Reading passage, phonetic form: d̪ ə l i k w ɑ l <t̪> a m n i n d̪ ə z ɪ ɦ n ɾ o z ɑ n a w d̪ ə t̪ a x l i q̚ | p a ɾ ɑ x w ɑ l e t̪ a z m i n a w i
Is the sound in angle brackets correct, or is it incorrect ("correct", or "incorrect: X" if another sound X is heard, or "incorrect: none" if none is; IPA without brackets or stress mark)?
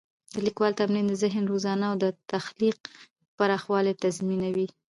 correct